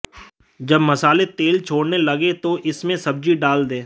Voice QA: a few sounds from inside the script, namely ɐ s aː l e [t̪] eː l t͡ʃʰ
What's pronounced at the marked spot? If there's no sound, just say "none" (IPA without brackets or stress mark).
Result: t̪